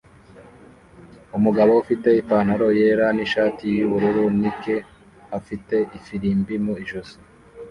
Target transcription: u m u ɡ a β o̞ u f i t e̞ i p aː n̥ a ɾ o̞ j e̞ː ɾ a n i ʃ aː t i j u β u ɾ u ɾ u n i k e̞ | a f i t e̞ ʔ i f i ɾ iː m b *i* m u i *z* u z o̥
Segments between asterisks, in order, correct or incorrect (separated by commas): correct, incorrect